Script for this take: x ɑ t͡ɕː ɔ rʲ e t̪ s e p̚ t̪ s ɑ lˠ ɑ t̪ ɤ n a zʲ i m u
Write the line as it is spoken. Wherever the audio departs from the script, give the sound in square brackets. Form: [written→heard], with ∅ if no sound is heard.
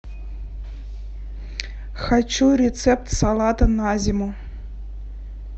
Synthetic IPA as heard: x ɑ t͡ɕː [ɔ→u] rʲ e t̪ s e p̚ t̪ s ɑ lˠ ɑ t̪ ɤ n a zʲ i m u